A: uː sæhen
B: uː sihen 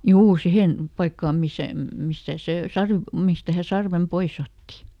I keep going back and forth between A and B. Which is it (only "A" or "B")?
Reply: B